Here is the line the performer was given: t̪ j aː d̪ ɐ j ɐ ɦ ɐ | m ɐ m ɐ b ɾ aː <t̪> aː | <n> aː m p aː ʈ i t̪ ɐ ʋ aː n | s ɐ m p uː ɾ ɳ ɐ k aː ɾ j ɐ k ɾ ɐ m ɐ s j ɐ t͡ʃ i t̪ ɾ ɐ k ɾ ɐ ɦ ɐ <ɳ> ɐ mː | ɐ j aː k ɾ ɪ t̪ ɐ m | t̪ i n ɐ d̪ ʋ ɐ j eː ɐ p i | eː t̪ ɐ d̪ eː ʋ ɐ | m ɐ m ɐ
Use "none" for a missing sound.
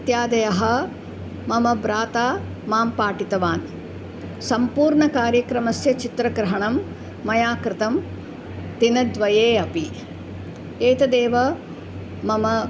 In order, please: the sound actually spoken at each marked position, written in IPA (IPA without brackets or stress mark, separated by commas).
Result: t̪, m, ɳ